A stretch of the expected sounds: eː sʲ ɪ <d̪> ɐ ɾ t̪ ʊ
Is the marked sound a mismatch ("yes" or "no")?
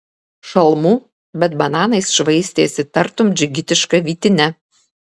yes